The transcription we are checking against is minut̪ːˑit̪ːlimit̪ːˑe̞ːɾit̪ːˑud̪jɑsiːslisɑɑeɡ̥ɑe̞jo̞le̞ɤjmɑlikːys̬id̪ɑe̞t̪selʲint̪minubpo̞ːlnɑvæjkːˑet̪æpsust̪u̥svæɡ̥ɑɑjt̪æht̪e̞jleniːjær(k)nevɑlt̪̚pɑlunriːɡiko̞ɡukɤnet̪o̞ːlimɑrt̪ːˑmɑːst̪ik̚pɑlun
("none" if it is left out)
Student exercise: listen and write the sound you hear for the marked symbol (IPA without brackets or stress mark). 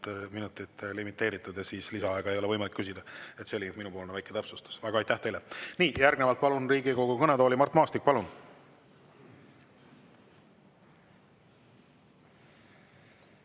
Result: ɡ